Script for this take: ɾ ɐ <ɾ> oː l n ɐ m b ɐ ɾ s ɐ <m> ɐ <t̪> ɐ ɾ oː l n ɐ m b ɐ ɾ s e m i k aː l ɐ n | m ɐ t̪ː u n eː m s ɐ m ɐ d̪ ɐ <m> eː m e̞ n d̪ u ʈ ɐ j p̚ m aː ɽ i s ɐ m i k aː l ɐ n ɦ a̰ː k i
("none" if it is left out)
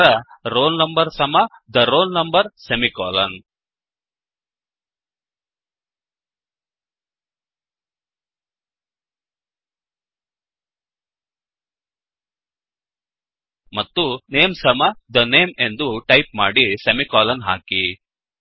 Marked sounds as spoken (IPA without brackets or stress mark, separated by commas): ɾ, m, d̪, n